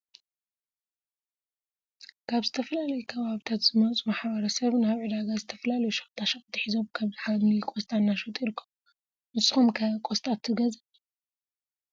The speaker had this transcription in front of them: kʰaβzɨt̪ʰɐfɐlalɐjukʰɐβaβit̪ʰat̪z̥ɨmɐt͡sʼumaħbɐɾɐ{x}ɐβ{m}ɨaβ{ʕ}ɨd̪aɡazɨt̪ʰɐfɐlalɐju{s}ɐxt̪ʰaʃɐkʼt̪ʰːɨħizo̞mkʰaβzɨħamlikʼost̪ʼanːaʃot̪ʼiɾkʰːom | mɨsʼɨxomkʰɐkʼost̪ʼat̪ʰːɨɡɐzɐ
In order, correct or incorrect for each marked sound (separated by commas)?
incorrect, incorrect, correct, incorrect